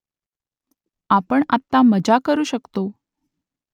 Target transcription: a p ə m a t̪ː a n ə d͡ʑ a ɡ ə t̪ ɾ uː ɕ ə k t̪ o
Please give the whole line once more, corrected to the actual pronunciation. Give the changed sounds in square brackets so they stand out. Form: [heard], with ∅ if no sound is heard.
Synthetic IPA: a p ə [ɳ] a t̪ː a [m] ə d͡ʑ a [k] ə [∅] ɾ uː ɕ ə k t̪ o